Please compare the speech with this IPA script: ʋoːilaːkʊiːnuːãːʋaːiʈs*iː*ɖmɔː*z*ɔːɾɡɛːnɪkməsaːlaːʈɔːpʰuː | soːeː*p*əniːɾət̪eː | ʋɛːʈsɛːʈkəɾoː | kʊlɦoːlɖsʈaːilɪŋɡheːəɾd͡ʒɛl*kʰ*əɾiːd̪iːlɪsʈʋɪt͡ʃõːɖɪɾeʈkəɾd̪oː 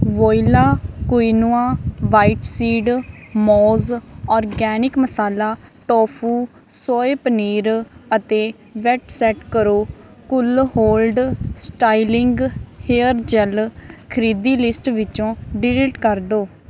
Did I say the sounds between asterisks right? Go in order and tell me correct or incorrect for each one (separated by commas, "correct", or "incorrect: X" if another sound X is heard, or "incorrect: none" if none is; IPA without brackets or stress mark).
correct, correct, correct, correct